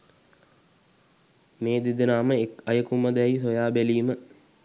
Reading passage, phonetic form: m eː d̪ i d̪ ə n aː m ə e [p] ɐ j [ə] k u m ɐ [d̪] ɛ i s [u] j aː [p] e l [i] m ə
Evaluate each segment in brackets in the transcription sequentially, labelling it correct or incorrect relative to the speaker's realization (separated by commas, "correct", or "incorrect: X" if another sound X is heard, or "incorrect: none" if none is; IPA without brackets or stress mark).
incorrect: k, correct, correct, incorrect: o, incorrect: b, incorrect: iː